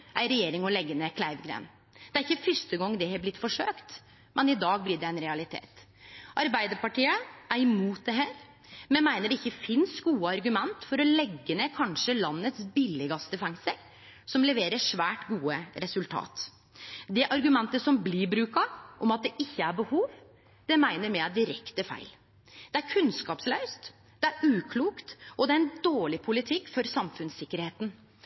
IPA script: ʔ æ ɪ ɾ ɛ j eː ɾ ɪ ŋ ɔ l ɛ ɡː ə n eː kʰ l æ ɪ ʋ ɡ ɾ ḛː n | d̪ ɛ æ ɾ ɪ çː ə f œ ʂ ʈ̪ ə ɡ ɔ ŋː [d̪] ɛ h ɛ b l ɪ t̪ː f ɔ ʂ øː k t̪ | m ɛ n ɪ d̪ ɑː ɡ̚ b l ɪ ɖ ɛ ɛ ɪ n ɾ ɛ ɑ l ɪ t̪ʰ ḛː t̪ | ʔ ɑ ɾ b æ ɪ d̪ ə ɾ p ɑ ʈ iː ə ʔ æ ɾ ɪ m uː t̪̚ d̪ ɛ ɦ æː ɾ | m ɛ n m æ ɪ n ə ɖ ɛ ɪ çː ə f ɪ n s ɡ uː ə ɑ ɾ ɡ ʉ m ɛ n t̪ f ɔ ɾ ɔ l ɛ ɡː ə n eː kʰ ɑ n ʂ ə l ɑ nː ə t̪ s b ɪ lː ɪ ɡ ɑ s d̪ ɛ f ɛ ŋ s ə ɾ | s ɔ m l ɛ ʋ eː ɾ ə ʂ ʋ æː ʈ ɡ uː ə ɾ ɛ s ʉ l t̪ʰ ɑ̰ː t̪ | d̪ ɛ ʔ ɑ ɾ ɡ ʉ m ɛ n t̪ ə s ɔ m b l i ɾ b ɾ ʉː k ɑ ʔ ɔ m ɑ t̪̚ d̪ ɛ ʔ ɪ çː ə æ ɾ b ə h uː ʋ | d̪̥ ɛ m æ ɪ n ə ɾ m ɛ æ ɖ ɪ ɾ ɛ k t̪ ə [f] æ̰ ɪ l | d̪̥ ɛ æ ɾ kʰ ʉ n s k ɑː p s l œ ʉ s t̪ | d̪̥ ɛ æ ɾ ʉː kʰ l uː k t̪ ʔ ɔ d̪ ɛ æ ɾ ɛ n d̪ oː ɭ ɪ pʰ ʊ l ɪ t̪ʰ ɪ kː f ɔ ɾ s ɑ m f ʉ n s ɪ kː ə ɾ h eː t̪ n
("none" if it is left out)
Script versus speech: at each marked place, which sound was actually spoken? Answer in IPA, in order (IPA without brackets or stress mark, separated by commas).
d̪, f